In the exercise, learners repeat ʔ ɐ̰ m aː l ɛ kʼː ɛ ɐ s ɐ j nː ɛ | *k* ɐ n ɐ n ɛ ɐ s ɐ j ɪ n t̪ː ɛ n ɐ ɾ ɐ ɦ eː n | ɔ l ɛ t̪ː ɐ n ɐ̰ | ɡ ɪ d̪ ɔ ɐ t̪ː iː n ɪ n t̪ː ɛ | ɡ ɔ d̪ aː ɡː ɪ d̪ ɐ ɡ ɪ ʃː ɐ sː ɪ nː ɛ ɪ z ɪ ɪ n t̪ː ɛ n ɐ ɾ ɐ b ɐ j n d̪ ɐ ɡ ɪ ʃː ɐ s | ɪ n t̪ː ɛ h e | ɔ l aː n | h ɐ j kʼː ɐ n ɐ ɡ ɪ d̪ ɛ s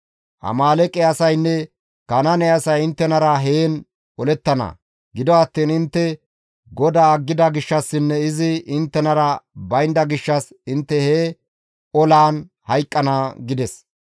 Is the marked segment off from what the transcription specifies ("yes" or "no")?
no